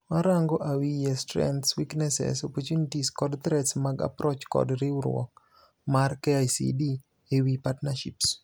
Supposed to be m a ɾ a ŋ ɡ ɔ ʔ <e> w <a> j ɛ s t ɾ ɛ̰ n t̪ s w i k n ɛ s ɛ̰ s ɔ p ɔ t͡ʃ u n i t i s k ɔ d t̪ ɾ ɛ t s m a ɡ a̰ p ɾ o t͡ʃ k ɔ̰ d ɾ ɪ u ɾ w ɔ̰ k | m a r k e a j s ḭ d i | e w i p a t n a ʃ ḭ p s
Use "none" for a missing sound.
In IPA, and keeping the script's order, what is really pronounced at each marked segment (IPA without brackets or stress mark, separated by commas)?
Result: a, i